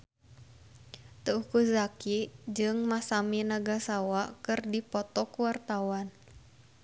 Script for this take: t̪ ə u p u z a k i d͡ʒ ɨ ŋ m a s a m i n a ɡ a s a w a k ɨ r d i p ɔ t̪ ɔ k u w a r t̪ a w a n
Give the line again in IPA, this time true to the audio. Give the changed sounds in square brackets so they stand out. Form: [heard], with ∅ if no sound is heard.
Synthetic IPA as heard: t̪ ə u [k] u z a k i d͡ʒ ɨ ŋ m a s a m i n a ɡ a s a w a k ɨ r d i p ɔ t̪ ɔ k u w a r t̪ a w a n